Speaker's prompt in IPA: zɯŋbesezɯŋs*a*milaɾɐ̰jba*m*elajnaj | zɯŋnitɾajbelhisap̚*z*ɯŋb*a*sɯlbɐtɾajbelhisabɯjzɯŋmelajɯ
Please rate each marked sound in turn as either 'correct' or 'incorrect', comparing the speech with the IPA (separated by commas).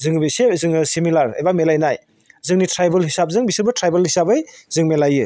incorrect, correct, correct, incorrect